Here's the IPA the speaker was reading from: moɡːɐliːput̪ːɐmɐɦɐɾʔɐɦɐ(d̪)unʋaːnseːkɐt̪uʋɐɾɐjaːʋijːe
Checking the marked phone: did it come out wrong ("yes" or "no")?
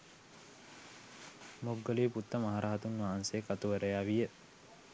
yes